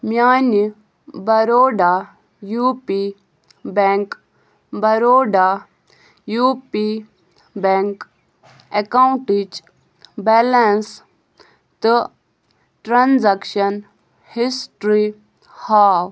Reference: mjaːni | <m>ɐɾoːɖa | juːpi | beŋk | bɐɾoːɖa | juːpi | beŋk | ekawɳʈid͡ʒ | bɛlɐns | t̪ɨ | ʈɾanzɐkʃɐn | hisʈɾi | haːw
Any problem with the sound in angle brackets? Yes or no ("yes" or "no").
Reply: yes